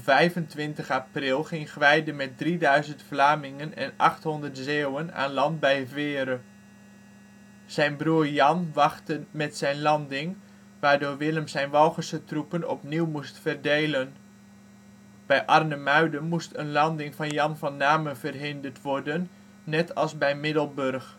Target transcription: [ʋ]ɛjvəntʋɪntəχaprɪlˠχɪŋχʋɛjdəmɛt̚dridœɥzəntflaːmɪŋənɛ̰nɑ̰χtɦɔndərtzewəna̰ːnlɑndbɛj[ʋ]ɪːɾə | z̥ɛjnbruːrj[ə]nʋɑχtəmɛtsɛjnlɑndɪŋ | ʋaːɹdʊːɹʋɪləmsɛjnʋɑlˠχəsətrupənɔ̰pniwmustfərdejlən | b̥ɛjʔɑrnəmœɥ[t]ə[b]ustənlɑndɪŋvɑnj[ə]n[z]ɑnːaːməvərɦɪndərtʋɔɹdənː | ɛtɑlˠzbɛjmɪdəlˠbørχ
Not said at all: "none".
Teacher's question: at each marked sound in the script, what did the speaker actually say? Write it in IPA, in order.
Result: v, v, ɑ, d, m, ɑ, v

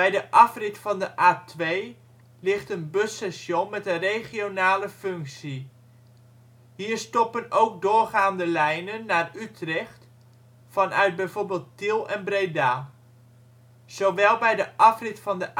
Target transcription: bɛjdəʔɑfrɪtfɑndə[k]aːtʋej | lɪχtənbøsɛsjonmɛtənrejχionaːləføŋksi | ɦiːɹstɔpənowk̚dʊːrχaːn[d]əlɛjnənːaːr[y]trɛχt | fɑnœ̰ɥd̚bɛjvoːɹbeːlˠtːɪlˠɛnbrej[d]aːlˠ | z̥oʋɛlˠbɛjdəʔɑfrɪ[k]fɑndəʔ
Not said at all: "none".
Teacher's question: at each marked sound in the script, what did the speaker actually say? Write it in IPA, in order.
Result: ʔ, d, y, d, t

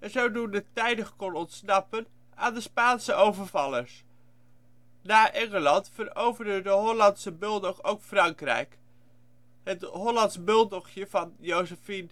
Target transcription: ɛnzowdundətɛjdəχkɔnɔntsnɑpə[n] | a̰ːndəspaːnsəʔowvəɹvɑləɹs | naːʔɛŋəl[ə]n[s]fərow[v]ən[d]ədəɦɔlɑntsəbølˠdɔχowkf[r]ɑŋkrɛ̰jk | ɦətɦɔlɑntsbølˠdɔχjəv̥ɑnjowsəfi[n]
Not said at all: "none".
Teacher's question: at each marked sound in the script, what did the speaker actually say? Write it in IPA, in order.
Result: n, ɑ, t, v, d, r, n

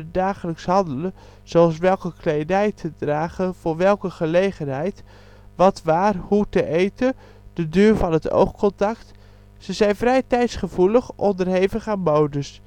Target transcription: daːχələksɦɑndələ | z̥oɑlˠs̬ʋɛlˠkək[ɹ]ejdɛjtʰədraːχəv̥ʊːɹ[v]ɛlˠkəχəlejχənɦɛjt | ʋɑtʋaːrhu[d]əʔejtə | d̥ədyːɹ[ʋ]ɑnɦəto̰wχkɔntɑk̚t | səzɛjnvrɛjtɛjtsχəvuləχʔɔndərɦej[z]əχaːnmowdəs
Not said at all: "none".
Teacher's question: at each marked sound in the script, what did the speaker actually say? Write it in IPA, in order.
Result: l, ʋ, t, v, v

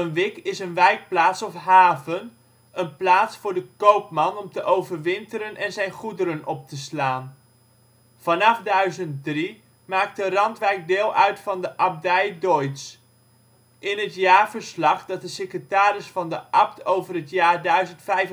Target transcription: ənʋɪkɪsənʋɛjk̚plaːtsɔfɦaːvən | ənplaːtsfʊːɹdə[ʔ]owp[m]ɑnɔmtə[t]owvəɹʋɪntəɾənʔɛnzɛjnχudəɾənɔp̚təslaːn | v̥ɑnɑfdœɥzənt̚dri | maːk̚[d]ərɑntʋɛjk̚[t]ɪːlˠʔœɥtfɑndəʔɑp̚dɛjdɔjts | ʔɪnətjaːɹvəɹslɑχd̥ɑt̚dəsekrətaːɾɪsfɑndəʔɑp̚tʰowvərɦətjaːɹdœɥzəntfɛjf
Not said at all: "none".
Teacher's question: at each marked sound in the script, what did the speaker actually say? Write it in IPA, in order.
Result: k, m, ʔ, t, d

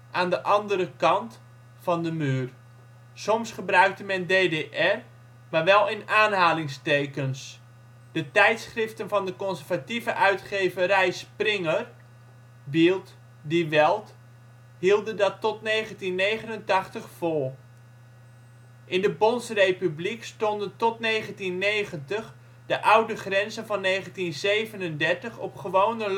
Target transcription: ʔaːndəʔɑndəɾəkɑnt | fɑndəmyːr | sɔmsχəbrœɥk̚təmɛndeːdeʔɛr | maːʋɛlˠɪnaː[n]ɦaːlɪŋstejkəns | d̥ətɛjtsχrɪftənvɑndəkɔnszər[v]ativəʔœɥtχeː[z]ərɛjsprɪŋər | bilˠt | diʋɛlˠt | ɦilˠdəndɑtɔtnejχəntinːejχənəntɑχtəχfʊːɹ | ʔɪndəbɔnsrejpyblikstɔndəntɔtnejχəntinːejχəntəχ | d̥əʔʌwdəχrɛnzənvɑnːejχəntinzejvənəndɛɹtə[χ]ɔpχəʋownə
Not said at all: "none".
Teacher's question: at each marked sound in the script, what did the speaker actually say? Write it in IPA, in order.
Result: n, v, v, χ

